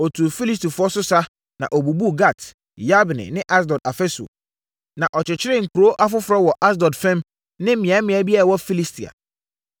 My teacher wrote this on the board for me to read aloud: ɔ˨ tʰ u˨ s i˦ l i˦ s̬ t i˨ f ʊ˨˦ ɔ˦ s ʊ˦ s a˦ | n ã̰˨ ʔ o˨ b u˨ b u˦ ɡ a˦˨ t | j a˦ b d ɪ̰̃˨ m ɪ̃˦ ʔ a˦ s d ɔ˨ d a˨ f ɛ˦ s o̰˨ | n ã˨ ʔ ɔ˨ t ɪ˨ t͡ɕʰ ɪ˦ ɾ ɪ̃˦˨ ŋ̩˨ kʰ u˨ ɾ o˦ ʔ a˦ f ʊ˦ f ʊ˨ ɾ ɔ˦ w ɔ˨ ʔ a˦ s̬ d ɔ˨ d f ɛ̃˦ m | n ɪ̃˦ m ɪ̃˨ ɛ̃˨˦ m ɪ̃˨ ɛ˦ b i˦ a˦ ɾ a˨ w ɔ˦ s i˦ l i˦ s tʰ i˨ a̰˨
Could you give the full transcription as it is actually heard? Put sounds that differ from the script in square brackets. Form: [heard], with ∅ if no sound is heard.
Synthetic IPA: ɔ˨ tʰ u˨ [f] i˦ l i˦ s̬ t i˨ f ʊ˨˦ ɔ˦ s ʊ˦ s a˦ | n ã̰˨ ʔ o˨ b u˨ b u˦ ɡ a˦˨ t | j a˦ b [n] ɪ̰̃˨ [n] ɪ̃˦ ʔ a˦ s d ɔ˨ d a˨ f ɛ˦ s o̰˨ | n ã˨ ʔ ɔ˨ [t͡ɕ] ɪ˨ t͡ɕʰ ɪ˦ ɾ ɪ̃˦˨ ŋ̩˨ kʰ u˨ ɾ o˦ ʔ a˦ f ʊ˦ f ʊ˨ ɾ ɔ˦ w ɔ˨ ʔ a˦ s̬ d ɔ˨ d f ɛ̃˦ m | n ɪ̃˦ m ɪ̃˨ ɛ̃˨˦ m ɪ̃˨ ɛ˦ b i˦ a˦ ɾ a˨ w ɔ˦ [f] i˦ l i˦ s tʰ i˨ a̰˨